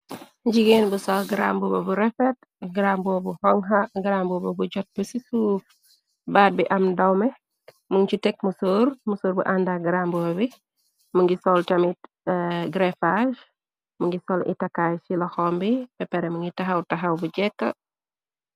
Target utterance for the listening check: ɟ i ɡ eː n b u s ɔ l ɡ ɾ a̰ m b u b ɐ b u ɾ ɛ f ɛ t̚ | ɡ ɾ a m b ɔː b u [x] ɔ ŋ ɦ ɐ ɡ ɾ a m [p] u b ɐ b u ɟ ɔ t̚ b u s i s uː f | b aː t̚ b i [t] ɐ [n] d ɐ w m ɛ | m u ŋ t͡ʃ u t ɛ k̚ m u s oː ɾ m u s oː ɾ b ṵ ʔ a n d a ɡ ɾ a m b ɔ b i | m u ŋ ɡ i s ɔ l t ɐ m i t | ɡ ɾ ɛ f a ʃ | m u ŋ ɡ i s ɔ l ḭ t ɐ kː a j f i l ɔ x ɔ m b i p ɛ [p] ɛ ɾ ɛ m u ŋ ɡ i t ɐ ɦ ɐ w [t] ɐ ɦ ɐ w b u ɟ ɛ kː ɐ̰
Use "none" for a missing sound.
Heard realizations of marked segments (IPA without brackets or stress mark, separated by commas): h, b, ʔ, m, p, t